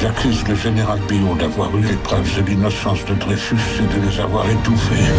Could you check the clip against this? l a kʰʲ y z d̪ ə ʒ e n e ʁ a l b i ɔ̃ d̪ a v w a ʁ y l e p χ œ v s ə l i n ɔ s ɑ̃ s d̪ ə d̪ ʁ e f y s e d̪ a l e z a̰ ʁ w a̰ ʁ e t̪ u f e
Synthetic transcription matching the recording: l a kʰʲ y z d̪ ə ʒ e n e ʁ a l b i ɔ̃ d̪ a v w a ʁ y l e p χ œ v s ə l i n ɔ s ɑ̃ s d̪ ə d̪ ʁ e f y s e d̪ ə l e z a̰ v w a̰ ʁ e t̪ u f e